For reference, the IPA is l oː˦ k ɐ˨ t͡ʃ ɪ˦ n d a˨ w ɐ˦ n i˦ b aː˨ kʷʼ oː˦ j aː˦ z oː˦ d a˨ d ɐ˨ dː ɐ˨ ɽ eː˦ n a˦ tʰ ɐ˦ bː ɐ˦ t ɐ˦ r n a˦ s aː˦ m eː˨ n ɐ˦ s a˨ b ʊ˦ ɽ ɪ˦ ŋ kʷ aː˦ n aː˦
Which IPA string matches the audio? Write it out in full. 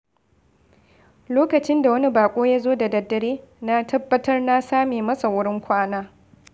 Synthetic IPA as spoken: l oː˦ k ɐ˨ t͡ʃ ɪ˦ n d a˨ w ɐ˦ n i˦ b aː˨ kʷʼ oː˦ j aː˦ z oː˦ d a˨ d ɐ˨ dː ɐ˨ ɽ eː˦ n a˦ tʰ ɐ˦ bː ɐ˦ t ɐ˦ r n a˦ s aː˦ m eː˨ m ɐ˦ s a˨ w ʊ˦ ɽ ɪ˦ ŋ kʷ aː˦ n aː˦

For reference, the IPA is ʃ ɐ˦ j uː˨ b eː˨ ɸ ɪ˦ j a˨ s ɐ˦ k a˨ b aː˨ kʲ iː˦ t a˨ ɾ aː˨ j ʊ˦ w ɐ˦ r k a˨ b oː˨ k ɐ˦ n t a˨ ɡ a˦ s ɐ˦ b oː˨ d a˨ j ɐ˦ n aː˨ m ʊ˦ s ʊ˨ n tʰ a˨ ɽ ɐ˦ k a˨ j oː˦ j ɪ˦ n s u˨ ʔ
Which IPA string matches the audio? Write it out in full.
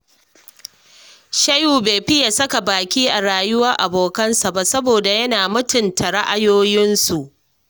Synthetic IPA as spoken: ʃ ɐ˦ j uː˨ b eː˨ ɸ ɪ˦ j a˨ s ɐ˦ k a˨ b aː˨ kʲ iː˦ ʔ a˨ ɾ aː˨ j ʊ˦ w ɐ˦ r ʔ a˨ b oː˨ k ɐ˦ n s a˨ b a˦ s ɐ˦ b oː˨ d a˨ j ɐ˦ n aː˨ m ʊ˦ t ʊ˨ n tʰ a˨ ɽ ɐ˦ ʔ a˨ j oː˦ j ɪ˦ n s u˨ ʔ

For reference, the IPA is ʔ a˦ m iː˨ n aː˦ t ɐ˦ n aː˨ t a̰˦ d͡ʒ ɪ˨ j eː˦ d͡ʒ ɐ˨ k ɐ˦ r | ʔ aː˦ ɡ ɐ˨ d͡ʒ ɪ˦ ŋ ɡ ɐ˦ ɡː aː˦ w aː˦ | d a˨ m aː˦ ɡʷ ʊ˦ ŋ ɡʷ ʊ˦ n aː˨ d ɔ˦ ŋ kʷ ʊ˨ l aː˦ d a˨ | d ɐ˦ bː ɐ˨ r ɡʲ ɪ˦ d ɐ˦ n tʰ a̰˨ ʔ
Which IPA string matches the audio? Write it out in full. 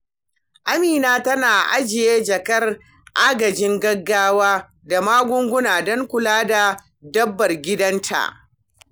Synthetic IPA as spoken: ʔ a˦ m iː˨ n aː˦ t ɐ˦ n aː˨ ʔ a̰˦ d͡ʒ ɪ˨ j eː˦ d͡ʒ ɐ˨ k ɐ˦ r | ʔ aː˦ ɡ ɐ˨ d͡ʒ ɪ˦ ŋ ɡ ɐ˦ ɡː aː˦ w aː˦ | d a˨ m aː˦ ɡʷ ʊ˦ ŋ ɡʷ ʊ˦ n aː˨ d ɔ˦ ŋ kʷ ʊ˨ l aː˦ d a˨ | d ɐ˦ bː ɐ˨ r ɡʲ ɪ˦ d ɐ˦ n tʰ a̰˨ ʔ

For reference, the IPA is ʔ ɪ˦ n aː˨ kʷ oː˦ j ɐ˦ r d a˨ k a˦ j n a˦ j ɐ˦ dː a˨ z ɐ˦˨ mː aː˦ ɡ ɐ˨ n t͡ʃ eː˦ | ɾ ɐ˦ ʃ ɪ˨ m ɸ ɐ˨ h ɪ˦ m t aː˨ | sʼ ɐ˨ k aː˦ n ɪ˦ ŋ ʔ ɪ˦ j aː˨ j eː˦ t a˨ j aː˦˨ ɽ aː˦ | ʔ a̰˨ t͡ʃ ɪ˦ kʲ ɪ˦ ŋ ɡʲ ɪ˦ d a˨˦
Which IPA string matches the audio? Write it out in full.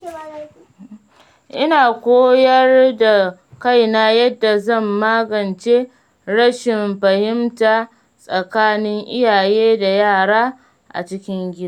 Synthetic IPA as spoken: ʔ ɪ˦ n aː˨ kʷ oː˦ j ɐ˦ r d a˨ k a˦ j n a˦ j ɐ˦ dː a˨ z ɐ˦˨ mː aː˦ ɡ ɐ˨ n t͡ʃ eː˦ | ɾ ɐ˦ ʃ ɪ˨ m ɸ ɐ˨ h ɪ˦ m t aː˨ | sʼ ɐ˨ k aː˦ n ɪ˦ ŋ ʔ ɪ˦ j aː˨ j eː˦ d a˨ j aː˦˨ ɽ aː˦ | ʔ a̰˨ t͡ʃ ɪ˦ kʲ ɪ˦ ŋ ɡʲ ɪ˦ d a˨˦

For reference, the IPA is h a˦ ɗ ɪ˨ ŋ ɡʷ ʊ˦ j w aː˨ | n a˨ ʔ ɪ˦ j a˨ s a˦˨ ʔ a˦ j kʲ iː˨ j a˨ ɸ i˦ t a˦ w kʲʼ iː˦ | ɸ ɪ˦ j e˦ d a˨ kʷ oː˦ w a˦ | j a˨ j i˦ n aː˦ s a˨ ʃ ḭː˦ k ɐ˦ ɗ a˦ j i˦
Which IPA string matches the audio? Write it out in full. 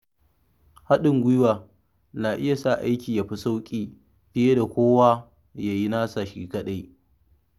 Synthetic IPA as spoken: h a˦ ɗ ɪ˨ ŋ ɡʷ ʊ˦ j w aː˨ | n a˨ ʔ ɪ˦ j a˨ s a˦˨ ʔ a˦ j kʲ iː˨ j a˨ ɸ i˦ s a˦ w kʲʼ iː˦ | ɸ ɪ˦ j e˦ d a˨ kʷ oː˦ w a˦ | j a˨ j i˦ n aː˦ s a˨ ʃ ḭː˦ k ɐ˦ ɗ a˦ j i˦

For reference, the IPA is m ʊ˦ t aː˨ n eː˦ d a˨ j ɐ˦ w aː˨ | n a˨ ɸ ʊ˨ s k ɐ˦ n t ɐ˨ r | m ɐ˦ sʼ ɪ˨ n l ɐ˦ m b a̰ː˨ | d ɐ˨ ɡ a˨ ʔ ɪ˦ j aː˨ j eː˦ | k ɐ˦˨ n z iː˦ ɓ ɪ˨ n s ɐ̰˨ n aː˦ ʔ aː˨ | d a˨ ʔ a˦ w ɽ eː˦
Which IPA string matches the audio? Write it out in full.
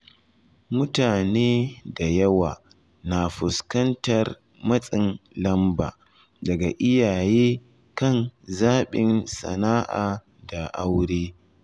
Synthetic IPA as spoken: m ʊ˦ t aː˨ n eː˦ d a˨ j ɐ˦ w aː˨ | n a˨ ɸ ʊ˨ s k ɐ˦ n t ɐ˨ r | m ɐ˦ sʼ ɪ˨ n l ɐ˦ m b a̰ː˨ | d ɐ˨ ɡ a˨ ʔ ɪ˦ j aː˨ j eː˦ | k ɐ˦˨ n z aː˦ ɓ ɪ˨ n s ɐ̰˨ n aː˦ ʔ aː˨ | d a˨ ʔ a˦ w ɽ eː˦

